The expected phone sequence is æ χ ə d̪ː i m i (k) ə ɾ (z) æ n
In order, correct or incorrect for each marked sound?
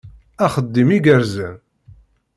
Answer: incorrect: ɡ, correct

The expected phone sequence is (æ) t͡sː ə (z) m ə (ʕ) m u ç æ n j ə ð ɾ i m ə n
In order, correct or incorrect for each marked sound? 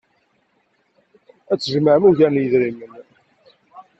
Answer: correct, incorrect: ʒ, correct

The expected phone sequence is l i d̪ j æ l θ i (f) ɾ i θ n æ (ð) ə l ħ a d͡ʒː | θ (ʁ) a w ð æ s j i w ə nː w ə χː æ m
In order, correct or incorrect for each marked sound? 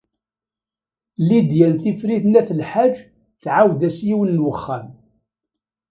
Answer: correct, incorrect: θ, incorrect: ʕ

